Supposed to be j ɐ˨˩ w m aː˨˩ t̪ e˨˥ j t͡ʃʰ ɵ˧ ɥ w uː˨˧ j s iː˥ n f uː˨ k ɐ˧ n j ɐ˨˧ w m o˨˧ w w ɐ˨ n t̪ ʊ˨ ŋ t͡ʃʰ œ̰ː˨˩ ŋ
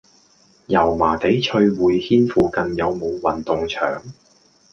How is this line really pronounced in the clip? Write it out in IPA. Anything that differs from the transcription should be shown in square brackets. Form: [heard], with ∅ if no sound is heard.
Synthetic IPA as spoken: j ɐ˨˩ w m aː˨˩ t̪ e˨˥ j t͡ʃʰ ɵ˧ ɥ w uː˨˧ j [h] iː˥ n f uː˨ k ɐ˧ n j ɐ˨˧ w m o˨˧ w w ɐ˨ n t̪ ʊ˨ ŋ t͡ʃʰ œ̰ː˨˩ ŋ